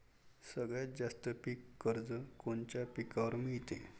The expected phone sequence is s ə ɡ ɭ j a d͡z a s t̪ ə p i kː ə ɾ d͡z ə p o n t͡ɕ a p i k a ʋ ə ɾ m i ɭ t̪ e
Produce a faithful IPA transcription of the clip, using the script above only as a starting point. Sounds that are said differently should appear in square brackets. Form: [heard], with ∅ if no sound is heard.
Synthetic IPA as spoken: s ə ɡ ɭ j a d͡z a s t̪ ə p i kː ə ɾ d͡z ə [k] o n t͡ɕ a p i k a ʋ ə ɾ m i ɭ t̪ e